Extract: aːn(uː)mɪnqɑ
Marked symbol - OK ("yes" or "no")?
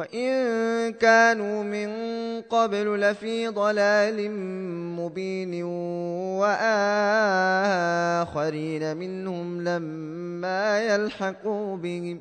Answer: yes